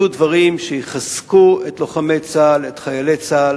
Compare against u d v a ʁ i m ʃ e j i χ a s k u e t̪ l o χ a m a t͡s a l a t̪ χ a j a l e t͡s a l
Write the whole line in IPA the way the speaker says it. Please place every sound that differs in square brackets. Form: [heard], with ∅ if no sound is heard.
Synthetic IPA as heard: u d v a ʁ i m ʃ e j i χ a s k u e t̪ l o χ a m [e] t͡s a l [e] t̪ χ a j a l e t͡s a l